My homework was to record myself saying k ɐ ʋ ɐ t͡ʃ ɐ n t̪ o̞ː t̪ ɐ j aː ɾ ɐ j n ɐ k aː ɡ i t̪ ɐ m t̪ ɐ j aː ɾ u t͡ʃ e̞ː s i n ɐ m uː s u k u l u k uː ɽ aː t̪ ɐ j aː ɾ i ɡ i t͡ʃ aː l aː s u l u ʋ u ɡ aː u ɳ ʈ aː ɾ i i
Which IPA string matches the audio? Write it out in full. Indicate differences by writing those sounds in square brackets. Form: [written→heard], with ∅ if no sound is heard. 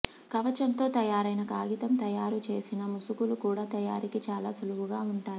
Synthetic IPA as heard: k ɐ ʋ ɐ t͡ʃ ɐ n t̪ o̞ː t̪ ɐ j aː ɾ ɐ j n ɐ k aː ɡ i t̪ ɐ m t̪ ɐ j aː ɾ u t͡ʃ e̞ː s i n ɐ m [uː→u] s u k u l u k uː ɽ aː t̪ ɐ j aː ɾ i [ɡ→k] i t͡ʃ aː l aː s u l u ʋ u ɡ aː u ɳ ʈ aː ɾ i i